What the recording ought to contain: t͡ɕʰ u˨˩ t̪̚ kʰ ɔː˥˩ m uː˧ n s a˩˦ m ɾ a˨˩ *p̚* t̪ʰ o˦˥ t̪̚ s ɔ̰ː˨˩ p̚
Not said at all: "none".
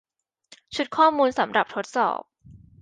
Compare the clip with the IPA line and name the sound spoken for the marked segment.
p̚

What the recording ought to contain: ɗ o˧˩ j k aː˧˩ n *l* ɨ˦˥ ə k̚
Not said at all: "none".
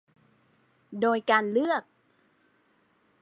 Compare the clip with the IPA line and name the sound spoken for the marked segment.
l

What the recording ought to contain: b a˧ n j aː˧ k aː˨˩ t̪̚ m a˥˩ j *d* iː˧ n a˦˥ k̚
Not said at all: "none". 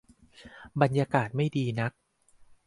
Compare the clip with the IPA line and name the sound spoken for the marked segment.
d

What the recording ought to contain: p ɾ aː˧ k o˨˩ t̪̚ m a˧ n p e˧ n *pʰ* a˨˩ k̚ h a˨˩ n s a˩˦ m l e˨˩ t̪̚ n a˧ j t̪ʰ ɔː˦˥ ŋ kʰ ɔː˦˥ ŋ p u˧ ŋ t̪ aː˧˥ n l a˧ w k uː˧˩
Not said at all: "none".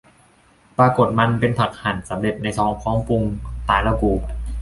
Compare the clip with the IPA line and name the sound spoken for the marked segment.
pʰ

